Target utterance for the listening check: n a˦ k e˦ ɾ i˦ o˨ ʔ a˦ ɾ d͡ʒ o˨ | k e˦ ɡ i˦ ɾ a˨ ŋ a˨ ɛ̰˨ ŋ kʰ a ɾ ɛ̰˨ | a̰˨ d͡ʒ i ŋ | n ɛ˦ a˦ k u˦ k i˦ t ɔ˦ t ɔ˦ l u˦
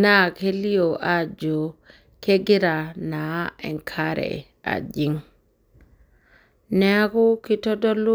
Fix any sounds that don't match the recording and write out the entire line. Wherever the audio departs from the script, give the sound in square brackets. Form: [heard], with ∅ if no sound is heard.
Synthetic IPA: n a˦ k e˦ [l] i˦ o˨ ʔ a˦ [∅] d͡ʒ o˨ | k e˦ ɡ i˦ ɾ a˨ [n] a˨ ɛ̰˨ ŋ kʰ a ɾ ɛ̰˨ | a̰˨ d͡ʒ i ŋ | n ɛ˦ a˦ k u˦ k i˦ t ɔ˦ [d] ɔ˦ l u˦

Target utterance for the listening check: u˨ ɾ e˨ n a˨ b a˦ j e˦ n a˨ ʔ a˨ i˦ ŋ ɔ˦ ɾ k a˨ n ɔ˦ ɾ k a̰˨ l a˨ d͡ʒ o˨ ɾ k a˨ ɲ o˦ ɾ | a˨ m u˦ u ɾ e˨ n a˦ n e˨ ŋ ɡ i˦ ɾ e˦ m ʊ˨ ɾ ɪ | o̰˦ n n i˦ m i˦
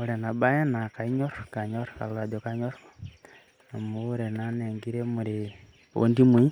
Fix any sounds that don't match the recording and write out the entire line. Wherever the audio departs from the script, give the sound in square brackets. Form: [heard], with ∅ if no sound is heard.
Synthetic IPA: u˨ ɾ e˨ n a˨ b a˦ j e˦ n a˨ [k] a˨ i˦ [ɲ] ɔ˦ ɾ k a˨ [ɲ] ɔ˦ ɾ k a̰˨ l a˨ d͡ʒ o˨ [∅] k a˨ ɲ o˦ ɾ | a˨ m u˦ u ɾ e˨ n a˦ n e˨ ŋ ɡ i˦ ɾ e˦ m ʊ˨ ɾ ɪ | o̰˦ n [d] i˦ m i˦

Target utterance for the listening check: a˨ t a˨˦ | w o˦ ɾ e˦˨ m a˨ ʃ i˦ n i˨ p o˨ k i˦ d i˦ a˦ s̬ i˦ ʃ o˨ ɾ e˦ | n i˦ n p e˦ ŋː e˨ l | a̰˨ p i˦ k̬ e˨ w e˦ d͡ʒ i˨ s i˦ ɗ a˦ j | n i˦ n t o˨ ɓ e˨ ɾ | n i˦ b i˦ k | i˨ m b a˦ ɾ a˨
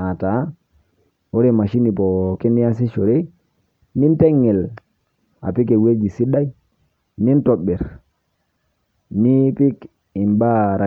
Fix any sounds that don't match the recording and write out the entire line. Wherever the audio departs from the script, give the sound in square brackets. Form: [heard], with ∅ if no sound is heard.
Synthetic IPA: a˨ t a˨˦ | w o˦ ɾ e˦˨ m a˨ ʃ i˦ n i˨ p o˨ k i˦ [n] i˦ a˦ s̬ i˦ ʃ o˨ ɾ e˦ | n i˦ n [t] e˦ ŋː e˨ l | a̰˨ p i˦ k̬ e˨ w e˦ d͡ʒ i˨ s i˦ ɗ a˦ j | n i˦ n t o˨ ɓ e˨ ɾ | n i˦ [p] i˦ k | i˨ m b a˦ ɾ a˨

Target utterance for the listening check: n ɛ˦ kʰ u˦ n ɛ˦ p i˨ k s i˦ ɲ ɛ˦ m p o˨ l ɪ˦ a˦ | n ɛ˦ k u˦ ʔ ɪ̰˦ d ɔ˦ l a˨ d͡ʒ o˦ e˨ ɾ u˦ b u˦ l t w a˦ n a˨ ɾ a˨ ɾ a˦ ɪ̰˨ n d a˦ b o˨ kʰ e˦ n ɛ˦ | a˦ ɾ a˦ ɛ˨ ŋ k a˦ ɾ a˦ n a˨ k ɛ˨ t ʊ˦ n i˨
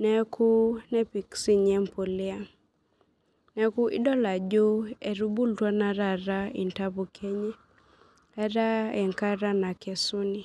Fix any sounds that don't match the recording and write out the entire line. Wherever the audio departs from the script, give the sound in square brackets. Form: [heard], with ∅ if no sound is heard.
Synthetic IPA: n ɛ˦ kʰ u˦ n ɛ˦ p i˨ k s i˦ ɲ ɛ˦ m p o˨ l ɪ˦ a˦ | n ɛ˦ k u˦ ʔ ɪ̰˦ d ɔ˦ l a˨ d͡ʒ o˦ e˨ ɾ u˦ b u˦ l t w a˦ n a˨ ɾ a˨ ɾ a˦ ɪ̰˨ n [t] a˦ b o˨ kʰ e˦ [ɲ] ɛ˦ | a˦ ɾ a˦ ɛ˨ ŋ k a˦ ɾ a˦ n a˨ k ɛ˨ [s] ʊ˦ n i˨

